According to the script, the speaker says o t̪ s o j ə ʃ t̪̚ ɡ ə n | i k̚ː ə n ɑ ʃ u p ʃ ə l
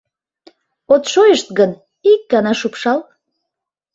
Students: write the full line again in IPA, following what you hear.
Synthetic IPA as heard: o t̪ ʃ o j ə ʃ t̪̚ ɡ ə n | i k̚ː ɑ n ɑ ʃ u p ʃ ɑ l